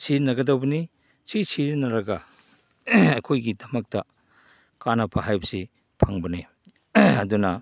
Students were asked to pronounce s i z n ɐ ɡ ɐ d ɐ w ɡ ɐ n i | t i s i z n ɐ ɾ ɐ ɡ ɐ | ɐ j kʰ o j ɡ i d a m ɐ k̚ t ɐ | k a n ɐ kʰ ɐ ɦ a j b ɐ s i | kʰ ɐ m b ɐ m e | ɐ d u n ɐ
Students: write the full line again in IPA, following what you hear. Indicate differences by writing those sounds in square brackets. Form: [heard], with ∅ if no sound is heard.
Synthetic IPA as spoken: s i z n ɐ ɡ ɐ d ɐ w [b] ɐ n i | [s] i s i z n ɐ ɾ ɐ ɡ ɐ | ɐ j kʰ o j ɡ i d [ɐ] m ɐ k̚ t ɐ | k a n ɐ [pʰ] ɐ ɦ a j b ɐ s i | [pʰ] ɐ [ŋ] b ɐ [n] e | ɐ d u n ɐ